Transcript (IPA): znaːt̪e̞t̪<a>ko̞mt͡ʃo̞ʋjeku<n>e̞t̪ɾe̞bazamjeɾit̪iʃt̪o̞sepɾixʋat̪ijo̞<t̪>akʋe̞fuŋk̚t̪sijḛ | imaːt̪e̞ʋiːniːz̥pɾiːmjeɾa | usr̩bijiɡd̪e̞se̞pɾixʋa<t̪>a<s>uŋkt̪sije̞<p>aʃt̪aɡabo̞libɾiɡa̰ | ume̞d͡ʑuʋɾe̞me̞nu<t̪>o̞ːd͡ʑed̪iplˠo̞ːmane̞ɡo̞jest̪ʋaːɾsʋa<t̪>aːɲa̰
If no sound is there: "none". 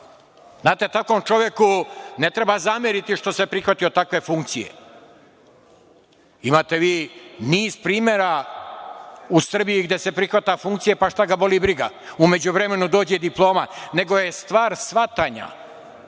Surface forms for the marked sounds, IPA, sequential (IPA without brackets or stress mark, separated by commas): a, n, t̪, t̪, f, p, d̪, t̪